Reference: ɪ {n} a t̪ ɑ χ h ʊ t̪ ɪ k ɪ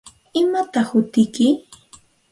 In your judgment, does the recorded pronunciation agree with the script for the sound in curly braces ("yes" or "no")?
no